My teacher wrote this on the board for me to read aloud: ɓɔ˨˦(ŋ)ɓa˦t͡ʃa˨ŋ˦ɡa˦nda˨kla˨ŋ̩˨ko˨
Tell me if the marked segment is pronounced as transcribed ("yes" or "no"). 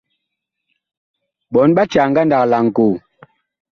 no